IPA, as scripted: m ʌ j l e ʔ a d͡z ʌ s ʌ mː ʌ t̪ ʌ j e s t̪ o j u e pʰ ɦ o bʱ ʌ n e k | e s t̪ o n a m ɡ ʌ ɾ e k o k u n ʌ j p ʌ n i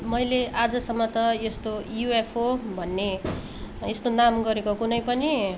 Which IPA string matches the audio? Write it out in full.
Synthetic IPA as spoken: m ʌ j l e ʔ a d͡z ʌ s ʌ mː ʌ t̪ ʌ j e s t̪ o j u e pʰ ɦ o bʱ ʌ nː e | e s t̪ o n a m ɡ ʌ ɾ e k o k u n ʌ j p ʌ n i